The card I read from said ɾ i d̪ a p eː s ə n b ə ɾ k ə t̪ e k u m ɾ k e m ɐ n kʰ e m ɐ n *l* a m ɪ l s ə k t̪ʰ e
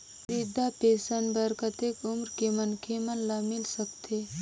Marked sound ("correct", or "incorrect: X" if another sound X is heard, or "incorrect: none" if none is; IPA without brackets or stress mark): correct